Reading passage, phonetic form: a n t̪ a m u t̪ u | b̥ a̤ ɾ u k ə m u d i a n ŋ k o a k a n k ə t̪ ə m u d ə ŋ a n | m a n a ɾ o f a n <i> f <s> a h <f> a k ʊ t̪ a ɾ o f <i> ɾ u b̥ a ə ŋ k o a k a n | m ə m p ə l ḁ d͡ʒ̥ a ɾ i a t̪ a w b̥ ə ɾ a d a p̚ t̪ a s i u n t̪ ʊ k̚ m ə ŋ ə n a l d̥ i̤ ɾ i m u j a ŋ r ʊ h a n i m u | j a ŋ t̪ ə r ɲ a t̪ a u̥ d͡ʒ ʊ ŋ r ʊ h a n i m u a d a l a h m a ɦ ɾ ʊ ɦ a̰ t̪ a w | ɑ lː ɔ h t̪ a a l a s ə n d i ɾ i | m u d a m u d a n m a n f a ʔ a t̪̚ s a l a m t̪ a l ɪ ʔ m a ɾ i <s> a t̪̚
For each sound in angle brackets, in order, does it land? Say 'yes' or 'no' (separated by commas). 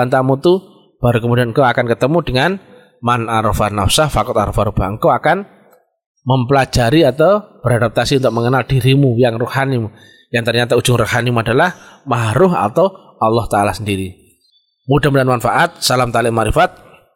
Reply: no, yes, yes, no, no